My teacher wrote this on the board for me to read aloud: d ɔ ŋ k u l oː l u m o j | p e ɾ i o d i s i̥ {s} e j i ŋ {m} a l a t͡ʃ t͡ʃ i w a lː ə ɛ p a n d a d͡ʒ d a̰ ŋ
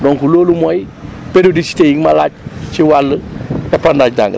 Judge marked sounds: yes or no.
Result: no, yes

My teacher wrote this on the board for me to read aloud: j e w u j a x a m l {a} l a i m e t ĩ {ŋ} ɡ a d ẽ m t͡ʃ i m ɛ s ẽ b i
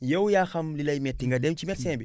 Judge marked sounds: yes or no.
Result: no, yes

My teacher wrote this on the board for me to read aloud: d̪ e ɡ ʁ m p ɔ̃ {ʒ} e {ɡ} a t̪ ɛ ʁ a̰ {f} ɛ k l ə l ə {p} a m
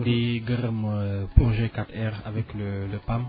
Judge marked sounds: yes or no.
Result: yes, no, no, yes

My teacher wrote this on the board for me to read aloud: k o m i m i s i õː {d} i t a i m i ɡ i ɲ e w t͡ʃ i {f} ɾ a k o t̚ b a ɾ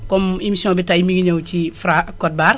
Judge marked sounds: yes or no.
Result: no, yes

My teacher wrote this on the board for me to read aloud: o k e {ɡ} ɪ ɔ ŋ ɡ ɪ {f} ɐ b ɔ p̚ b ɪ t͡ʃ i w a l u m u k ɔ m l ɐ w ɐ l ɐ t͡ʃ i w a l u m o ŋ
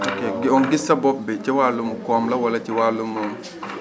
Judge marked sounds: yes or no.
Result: yes, no

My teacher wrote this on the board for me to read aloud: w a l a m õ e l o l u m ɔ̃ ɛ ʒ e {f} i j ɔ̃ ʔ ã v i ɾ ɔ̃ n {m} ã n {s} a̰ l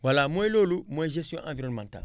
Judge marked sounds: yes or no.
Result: no, yes, no

